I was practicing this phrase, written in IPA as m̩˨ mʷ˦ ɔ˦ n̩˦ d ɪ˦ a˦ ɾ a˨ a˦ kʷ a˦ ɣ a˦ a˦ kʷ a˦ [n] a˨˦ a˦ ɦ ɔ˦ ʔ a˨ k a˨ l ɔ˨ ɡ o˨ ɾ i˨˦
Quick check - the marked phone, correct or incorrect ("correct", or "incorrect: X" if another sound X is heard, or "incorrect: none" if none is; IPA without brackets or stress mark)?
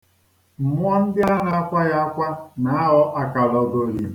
correct